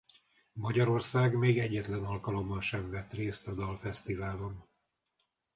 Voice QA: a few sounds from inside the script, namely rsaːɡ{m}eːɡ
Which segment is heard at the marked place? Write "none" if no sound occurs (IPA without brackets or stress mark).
m